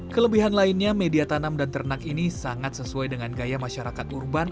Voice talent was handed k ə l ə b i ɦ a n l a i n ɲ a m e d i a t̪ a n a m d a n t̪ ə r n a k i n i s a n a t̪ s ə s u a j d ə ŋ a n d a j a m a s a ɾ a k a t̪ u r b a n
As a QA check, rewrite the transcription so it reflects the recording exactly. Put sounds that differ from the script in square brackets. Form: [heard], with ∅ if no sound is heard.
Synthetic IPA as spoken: k ə l ə b i ɦ a n l a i n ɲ a m e d i a t̪ a n a m d a n t̪ ə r n a k i n i s a [ŋ] a t̪ s ə s u a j d ə ŋ a n [ɡ] a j a m a [ʃ] a ɾ a k a t̪ u r b a n